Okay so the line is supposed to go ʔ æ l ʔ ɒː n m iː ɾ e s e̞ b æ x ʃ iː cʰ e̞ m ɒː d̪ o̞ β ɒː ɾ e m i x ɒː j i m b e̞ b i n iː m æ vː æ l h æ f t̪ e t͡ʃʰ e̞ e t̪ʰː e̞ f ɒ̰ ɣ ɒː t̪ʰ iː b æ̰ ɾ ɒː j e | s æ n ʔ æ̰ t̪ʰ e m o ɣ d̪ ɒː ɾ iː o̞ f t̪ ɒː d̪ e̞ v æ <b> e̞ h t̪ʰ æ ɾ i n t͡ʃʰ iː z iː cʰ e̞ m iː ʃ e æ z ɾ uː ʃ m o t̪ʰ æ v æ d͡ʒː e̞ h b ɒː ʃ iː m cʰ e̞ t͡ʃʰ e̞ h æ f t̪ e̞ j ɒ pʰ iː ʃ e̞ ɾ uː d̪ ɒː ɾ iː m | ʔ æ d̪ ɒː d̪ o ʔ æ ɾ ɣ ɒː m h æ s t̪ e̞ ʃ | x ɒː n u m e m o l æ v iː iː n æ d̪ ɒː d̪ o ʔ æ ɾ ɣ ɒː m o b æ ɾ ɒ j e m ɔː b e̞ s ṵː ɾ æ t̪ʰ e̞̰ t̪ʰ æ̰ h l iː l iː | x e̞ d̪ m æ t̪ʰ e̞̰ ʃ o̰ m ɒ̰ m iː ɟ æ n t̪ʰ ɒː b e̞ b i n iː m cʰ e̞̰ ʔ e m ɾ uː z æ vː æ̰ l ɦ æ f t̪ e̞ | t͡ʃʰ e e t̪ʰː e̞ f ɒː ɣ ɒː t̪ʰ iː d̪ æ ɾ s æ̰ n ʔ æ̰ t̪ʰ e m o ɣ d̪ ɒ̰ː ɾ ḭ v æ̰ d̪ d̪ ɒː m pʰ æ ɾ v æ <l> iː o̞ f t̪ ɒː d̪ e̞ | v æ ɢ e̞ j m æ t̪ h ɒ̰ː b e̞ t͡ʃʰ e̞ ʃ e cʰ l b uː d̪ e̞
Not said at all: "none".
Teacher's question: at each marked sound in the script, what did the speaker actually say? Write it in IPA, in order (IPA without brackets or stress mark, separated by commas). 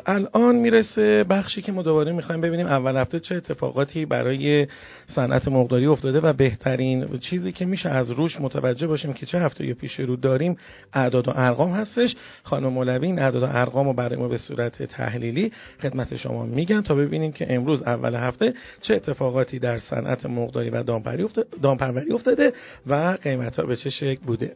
b, ɾ